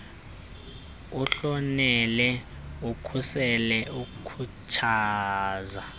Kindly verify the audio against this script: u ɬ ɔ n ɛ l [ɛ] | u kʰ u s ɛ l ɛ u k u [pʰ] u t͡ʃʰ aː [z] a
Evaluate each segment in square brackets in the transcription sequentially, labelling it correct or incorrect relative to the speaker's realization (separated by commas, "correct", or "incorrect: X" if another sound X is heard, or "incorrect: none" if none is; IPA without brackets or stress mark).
correct, incorrect: kʰ, correct